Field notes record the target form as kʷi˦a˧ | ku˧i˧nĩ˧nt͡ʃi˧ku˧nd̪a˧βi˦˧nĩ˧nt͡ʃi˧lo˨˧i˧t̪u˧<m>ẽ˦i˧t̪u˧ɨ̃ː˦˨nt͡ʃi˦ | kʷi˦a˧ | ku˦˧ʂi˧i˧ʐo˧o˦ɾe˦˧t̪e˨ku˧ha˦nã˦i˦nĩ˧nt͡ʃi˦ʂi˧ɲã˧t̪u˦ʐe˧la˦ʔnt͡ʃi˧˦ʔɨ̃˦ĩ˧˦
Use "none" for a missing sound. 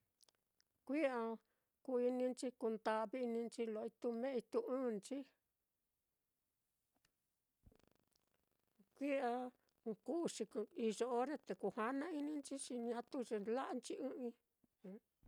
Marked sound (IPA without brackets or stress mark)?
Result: m